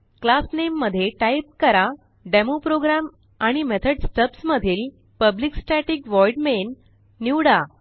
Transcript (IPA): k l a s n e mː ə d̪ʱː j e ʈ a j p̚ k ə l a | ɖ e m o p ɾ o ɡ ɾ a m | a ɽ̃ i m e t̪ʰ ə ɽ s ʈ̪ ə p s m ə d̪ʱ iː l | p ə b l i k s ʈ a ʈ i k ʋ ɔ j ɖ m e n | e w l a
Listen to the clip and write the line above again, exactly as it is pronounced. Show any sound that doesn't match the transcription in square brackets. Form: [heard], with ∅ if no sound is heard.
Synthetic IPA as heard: k l a s n e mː ə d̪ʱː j e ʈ a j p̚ k ə [ɾ] a | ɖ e m o p ɾ o ɡ ɾ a m | a ɽ̃ i m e t̪ʰ ə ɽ s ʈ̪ ə p s m ə d̪ʱ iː l | p ə b l i k s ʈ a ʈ i k ʋ ɔ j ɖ m e [nː] | [i] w [ɽ] a